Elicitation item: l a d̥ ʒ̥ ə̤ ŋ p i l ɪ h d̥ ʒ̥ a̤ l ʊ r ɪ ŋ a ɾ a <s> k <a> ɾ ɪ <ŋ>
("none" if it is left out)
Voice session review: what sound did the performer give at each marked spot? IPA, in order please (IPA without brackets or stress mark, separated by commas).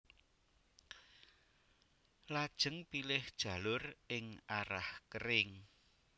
h, ə, ŋ